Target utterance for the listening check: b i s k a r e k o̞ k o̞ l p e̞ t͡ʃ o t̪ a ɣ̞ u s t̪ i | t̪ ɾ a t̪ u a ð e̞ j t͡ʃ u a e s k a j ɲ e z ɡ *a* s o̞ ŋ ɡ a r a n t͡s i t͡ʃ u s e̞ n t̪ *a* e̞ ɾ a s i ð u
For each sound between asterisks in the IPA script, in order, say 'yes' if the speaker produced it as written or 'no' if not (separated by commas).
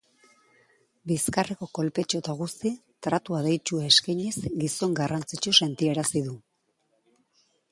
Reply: no, no